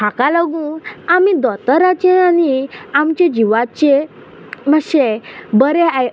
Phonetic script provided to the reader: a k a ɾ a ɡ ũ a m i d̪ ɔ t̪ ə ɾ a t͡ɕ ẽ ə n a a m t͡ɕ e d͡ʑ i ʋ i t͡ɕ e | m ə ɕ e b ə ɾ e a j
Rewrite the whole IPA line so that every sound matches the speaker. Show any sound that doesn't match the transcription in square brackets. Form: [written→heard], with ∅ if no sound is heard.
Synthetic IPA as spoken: a k a [ɾ→l] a ɡ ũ a m i d̪ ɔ t̪ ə ɾ a t͡ɕ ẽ [ə→a] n [a→i] a m t͡ɕ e d͡ʑ i ʋ [i→a] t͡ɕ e | m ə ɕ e b ə ɾ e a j